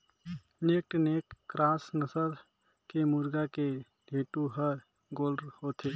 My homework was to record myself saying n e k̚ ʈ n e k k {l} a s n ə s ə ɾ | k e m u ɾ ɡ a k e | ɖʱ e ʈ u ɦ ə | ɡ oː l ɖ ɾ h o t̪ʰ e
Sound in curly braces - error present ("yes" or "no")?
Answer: yes